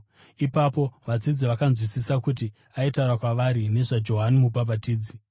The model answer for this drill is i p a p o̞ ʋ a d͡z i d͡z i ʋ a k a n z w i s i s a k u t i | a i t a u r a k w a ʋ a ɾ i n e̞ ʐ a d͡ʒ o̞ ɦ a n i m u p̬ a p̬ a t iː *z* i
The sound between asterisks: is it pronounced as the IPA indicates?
no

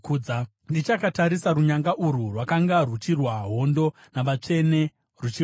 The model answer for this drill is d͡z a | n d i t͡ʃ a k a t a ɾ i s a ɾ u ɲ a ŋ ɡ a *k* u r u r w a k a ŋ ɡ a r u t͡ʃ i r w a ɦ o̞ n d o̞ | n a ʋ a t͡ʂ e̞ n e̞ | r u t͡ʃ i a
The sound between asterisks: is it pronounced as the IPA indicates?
no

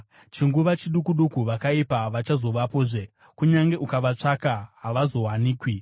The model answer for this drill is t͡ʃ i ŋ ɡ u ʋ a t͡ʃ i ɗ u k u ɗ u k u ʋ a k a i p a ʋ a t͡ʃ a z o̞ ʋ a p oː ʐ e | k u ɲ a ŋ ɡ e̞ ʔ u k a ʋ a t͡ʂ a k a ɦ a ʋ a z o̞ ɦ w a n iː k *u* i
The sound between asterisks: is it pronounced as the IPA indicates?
no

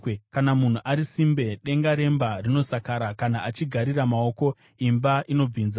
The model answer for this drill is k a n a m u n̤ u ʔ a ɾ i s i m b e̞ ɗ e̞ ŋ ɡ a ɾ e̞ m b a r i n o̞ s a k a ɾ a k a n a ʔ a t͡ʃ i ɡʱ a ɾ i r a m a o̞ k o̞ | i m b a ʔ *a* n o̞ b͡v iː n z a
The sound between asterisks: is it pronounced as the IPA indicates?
no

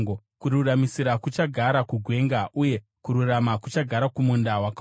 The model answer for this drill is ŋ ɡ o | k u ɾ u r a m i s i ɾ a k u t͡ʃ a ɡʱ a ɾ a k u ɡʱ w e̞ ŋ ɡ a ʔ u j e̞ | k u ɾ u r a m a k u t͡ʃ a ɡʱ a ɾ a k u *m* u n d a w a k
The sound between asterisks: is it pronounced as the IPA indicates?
yes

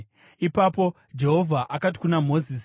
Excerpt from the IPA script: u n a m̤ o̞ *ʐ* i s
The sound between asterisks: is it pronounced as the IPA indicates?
no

